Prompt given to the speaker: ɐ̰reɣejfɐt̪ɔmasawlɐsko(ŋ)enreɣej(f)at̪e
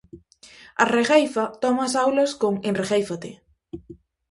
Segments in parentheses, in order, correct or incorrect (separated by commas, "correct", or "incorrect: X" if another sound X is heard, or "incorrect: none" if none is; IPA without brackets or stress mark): correct, correct